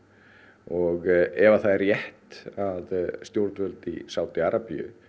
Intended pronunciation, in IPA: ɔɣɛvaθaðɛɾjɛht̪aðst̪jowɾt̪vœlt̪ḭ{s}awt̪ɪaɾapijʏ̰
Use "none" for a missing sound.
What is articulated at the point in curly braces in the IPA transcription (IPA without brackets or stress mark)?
s